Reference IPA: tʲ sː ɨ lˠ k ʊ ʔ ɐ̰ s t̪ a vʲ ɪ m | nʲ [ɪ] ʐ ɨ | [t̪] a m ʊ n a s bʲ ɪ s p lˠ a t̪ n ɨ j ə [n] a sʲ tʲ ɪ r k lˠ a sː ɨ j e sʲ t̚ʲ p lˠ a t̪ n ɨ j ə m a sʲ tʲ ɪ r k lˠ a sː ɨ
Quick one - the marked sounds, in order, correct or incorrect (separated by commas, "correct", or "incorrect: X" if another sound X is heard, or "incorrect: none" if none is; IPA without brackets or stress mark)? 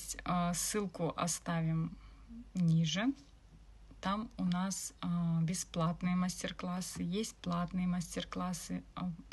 incorrect: i, correct, incorrect: m